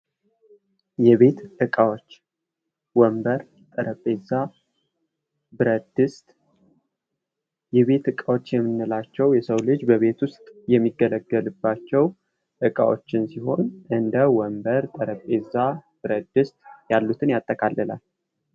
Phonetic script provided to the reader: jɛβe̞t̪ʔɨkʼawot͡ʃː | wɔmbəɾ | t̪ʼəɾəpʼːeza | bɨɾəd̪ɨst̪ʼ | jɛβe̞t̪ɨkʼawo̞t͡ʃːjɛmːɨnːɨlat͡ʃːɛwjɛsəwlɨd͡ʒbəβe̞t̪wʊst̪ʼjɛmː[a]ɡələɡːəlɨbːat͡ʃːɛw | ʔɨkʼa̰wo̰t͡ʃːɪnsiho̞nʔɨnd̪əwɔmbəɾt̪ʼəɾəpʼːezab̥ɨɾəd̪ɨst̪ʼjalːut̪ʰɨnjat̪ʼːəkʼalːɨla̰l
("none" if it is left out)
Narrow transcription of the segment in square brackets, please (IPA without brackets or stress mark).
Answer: i